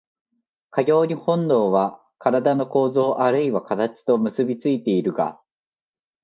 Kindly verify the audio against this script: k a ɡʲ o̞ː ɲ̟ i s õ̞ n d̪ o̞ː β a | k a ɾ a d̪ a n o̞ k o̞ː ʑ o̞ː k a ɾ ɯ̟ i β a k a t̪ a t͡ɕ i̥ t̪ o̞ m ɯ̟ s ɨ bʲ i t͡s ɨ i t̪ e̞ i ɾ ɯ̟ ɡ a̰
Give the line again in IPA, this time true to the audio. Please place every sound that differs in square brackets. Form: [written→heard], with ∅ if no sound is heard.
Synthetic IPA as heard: k a ɡʲ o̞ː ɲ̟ i [s→h] õ̞ n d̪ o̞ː β a | k a ɾ a d̪ a n o̞ k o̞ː [ʑ→z] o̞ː [k→ʔ] a ɾ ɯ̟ i β a k a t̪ a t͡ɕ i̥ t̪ o̞ m ɯ̟ s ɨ bʲ i t͡s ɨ i t̪ e̞ i ɾ ɯ̟ ɡ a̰